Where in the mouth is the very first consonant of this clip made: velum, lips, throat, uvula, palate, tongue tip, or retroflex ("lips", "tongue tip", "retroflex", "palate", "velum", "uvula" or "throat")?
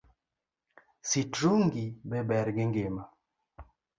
tongue tip